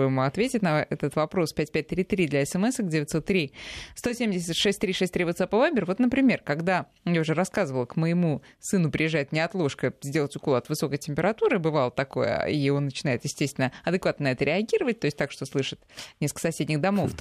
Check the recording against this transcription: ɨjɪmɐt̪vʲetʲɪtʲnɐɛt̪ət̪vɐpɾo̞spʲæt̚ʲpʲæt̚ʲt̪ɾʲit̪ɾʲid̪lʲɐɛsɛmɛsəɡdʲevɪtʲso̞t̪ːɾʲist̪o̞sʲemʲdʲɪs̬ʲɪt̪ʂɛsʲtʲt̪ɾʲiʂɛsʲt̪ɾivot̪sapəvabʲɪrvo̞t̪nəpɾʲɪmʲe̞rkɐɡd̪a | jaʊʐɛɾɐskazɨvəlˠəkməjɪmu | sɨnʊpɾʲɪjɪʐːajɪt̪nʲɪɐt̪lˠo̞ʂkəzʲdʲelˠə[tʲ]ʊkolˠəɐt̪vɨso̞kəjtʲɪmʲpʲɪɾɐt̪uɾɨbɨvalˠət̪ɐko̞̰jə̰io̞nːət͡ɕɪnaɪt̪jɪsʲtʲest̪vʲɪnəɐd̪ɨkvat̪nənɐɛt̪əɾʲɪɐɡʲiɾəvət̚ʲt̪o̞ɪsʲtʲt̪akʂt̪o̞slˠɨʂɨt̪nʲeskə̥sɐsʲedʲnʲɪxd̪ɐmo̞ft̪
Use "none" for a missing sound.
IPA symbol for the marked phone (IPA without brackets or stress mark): tʲ